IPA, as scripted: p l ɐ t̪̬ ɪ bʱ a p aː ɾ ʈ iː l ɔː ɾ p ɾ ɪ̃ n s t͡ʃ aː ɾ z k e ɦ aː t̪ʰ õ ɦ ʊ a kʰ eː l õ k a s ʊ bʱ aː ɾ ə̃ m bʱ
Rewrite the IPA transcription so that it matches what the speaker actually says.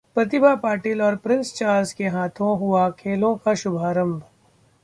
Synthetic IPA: p ɾ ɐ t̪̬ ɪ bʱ a p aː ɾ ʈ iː l ɔː ɾ p ɾ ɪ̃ n s t͡ʃ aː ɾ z k e ɦ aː t̪ʰ õ ɦ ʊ a kʰ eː l õ k a ʃ ʊ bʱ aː ɾ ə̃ m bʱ